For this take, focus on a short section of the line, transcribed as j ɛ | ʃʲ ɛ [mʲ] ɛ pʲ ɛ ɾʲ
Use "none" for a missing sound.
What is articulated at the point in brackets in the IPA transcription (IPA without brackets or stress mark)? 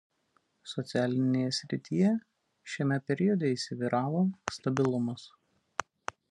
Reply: mʲ